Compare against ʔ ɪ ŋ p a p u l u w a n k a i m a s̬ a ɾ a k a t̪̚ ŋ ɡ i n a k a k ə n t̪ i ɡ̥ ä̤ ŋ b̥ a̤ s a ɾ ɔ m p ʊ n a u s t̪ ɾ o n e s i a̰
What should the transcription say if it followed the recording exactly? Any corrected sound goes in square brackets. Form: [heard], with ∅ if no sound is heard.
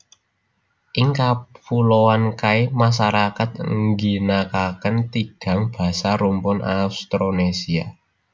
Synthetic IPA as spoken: ʔ ɪ ŋ [k] a p u l [o] w a n k a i m a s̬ a ɾ a k a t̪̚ ŋ ɡ i n a k a k ə n t̪ i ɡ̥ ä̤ ŋ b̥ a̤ s a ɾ [u] m p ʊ n a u s t̪ ɾ o n e s i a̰